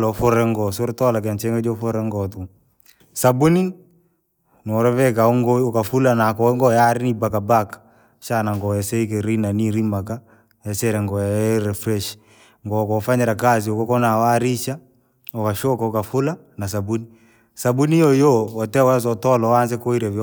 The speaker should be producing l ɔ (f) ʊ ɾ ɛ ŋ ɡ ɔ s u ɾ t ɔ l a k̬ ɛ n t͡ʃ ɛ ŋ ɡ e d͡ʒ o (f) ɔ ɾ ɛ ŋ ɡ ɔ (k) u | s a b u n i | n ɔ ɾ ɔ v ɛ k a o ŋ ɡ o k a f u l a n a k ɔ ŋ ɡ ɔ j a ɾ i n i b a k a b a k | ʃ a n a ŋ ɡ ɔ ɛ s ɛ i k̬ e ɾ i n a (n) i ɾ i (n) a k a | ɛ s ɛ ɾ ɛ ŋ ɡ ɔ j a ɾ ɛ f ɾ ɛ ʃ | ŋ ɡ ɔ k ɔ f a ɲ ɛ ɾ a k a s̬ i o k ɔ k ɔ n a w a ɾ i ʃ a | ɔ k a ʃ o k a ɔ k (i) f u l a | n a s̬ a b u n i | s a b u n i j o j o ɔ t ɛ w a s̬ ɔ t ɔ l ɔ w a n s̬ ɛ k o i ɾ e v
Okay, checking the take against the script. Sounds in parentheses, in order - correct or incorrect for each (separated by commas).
correct, correct, incorrect, correct, incorrect, incorrect